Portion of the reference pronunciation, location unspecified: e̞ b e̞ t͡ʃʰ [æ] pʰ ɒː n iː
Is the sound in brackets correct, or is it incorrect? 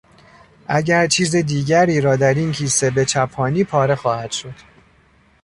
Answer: correct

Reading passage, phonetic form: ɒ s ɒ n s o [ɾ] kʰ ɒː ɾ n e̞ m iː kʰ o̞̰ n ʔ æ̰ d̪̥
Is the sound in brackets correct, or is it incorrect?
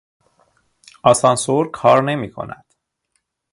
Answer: correct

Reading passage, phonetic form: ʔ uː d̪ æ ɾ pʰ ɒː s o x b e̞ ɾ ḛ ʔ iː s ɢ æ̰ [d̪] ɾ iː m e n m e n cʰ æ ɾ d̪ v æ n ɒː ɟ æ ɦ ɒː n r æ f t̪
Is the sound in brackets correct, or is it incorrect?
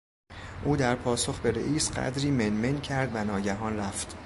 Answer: correct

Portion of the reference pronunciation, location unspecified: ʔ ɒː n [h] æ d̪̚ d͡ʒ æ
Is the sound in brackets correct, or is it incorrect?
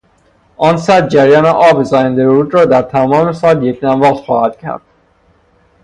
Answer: incorrect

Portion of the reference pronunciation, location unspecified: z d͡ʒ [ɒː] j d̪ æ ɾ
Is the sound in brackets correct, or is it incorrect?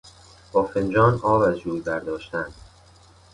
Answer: incorrect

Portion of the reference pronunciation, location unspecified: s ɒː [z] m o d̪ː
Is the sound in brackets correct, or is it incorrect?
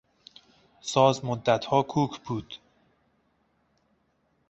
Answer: correct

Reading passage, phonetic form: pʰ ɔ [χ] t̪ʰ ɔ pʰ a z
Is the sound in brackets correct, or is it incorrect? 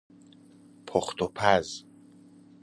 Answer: correct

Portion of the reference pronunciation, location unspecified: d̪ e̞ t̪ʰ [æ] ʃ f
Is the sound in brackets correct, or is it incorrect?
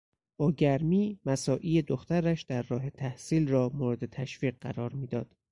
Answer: correct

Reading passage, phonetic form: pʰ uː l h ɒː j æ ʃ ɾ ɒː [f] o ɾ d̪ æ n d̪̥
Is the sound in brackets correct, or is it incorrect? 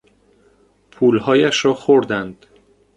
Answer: incorrect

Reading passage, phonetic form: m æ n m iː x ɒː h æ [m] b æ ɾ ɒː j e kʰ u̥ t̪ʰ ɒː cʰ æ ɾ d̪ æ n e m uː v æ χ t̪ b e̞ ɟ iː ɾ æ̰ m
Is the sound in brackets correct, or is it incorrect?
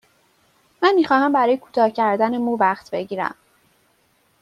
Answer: correct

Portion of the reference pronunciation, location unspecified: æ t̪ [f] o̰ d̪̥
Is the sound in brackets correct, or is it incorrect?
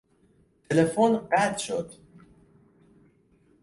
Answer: incorrect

